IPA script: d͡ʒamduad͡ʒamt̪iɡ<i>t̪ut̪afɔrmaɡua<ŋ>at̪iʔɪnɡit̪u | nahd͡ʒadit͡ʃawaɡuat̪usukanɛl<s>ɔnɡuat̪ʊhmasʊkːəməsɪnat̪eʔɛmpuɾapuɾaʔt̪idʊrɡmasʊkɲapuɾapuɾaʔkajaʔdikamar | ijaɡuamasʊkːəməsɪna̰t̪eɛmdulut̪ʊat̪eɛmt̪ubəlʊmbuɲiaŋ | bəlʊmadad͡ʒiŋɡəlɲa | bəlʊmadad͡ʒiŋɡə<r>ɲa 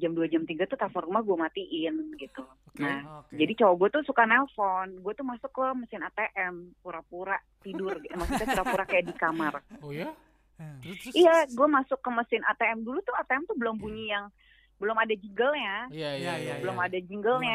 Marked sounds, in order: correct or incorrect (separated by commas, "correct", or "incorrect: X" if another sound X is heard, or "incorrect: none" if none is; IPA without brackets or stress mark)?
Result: incorrect: a, incorrect: m, incorrect: f, incorrect: l